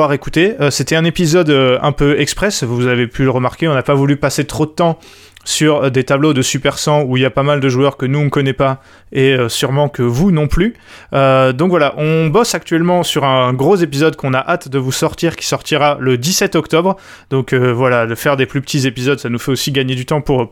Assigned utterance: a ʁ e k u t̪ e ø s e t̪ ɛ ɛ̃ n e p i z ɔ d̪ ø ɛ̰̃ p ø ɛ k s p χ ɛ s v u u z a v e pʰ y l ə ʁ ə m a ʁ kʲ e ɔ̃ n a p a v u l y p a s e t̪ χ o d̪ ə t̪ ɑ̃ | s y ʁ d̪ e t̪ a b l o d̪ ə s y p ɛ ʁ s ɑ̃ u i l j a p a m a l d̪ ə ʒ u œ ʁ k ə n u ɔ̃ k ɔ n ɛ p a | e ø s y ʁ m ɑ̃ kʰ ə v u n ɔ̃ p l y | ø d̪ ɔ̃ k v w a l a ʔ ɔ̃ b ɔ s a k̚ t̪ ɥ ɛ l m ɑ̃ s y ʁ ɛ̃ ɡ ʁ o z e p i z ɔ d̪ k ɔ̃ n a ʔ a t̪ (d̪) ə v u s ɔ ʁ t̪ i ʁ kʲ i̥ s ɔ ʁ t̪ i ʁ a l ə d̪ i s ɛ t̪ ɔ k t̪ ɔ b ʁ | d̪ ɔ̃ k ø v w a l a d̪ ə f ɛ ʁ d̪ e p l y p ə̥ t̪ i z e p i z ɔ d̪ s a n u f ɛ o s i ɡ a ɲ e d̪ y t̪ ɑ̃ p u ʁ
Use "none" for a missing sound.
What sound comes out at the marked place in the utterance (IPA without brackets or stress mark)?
d̪